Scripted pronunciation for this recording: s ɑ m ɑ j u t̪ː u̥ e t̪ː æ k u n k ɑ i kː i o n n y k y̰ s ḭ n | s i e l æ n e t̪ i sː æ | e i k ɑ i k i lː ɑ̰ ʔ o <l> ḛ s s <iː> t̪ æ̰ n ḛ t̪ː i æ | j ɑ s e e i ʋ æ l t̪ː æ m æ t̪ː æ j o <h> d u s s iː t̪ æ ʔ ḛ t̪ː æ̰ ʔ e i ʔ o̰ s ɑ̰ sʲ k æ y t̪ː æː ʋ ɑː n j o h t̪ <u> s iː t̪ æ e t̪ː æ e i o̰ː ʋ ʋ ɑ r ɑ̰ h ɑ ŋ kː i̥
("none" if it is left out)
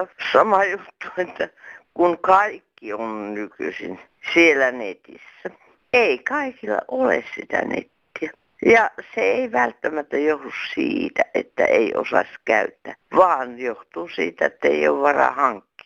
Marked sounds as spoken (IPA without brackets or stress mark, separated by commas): l, i, h, uː